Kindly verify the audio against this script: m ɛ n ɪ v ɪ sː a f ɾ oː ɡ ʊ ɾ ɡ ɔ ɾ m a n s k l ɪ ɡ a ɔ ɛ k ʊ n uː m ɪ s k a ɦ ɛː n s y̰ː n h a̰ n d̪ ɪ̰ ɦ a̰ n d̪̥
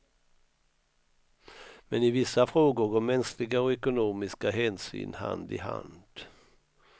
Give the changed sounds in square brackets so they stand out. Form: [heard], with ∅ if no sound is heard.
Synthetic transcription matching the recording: m ɛ n ɪ v ɪ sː a f ɾ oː ɡ ʊ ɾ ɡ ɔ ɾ m [ɛ] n s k l ɪ ɡ a ɔ ɛ k ʊ n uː m ɪ s k a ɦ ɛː n s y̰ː n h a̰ n d̪ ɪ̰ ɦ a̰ n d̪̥